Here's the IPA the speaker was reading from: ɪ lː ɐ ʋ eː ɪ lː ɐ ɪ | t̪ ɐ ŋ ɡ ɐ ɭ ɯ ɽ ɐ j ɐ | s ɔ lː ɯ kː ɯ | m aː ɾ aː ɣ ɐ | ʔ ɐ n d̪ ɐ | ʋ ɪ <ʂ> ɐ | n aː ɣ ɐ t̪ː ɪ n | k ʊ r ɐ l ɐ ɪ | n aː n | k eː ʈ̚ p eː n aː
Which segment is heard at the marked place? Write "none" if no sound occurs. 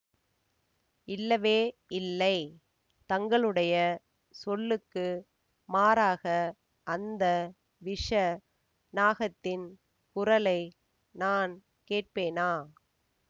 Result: ʂ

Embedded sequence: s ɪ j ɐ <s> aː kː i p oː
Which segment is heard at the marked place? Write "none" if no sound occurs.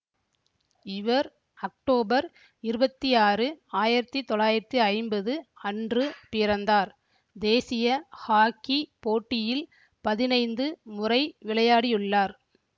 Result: h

